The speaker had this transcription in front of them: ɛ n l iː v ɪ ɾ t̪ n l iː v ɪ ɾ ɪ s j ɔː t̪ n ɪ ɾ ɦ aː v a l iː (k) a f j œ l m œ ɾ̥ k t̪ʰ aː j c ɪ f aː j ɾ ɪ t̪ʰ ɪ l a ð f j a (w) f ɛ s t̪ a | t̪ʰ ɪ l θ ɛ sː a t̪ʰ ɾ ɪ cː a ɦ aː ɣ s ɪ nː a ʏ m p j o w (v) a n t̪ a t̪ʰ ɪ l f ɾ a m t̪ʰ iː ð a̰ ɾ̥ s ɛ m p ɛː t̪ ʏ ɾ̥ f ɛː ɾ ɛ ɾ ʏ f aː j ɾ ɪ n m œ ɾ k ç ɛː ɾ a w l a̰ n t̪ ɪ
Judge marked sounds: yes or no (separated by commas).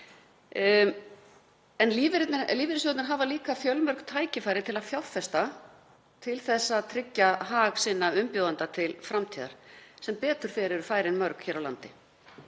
yes, yes, no